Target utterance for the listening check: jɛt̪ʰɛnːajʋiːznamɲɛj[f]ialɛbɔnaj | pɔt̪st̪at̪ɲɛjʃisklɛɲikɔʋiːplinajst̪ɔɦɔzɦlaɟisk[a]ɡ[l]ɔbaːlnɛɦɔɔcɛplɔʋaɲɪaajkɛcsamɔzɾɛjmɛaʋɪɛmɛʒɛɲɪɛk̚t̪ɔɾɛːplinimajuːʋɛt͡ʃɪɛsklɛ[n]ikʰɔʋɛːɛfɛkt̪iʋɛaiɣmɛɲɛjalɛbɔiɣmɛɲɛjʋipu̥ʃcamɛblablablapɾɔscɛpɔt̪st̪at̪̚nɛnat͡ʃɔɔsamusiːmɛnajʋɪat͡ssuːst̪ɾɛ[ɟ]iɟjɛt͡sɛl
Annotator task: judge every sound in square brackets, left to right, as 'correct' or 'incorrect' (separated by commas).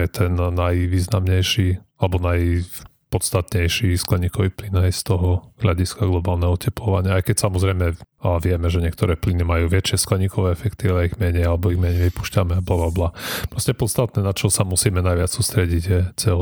incorrect, correct, correct, incorrect, correct